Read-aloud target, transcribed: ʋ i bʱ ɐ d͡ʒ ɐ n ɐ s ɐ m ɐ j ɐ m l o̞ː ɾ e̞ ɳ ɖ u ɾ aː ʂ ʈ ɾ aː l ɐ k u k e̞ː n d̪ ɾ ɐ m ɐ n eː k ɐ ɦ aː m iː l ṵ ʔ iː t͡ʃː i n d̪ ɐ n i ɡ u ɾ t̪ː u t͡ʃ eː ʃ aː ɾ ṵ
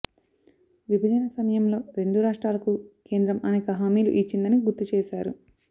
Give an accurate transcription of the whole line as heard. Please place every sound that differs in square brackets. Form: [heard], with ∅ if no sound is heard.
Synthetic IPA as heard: ʋ i bʱ ɐ d͡ʒ ɐ n ɐ s ɐ m ɐ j ɐ m l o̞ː ɾ e̞ ɳ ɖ u ɾ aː ʂ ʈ ɾ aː l ɐ k u k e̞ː n d̪ ɾ ɐ m ɐ n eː k ɐ ɦ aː m iː l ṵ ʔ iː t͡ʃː i n d̪ ɐ n i ɡ u ɾ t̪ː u t͡ʃ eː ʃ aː ɾ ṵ

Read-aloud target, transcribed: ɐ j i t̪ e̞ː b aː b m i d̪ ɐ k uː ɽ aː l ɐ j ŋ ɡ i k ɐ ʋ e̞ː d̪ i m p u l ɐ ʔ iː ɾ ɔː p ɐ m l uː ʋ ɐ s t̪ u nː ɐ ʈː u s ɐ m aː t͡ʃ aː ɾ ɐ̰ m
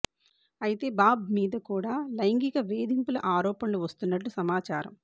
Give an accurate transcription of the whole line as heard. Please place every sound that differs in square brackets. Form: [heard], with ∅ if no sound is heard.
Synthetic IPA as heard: ɐ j i t̪ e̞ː b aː b m [iː] d̪ ɐ k uː ɽ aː l ɐ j ŋ ɡ i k ɐ ʋ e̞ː d̪ i m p u l ɐ ʔ [aː] ɾ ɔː p ɐ [n] l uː ʋ ɐ s t̪ u nː ɐ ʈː u s ɐ m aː t͡ʃ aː ɾ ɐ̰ m

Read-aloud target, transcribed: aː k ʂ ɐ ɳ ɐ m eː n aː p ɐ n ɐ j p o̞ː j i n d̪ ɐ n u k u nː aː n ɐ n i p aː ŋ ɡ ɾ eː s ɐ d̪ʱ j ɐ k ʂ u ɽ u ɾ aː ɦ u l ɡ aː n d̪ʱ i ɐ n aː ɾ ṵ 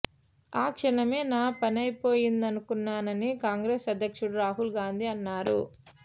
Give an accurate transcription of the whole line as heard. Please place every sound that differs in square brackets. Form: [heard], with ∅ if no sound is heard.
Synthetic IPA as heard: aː k ʂ ɐ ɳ ɐ m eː n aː p ɐ n ɐ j p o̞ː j i n d̪ ɐ n u k u nː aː n ɐ n i [k] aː ŋ ɡ ɾ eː s ɐ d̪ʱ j ɐ k ʂ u ɽ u ɾ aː ɦ u l ɡ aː n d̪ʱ i ɐ [nː] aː ɾ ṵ

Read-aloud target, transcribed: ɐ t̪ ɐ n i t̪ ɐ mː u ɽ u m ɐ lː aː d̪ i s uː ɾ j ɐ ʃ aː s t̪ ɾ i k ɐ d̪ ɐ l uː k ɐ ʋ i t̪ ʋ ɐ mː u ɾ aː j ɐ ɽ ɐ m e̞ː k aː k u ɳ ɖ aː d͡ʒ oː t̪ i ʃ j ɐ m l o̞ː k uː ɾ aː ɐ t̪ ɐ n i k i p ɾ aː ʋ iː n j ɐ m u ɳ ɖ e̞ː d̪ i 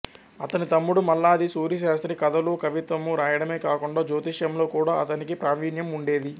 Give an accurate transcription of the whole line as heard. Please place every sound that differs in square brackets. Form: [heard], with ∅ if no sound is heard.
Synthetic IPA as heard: ɐ t̪ ɐ n i t̪ ɐ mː u ɽ u m ɐ lː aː d̪ i s uː ɾ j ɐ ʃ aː s t̪ ɾ i k ɐ d̪ ɐ l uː k ɐ ʋ i t̪ ʋ ɐ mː u ɾ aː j ɐ ɽ ɐ m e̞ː k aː k u ɳ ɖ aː d͡ʒ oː t̪ i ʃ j ɐ m l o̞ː k uː [ɽ] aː ɐ t̪ ɐ n i k i p ɾ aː ʋ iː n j ɐ m u ɳ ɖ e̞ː d̪ i

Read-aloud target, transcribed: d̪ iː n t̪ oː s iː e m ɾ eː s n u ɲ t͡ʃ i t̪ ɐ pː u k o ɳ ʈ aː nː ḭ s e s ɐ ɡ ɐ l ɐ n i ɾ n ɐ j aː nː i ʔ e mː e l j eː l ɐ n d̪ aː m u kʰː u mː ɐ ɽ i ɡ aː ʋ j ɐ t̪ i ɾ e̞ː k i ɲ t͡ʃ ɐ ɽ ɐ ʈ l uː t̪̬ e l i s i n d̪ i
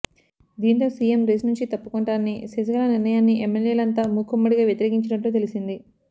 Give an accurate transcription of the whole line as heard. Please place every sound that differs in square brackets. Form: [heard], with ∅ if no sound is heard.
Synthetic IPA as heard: d̪ iː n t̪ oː s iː e m ɾ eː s n u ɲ t͡ʃ i t̪ ɐ pː u k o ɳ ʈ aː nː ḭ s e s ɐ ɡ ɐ l ɐ n i ɾ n ɐ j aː nː i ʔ e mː e l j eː l ɐ n [t̪] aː m u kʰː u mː ɐ ɽ i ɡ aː ʋ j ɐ t̪ i ɾ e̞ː k i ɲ t͡ʃ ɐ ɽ ɐ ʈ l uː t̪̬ e l i s i n d̪ i

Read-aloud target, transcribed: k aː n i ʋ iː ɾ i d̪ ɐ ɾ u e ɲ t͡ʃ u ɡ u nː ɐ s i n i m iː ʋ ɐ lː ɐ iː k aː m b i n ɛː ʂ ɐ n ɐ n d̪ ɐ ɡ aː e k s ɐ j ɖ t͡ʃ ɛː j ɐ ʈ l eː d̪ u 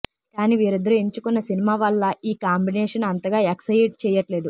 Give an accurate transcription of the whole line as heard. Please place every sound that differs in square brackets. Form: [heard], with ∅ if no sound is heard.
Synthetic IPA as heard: k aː n i ʋ iː ɾ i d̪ ɐ ɾ u e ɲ t͡ʃ u [k] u nː ɐ s i n i m [aː] ʋ ɐ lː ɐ iː k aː m b i n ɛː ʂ ɐ n ɐ n [t̪] ɐ ɡ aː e k s ɐ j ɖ t͡ʃ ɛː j ɐ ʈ l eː d̪ u

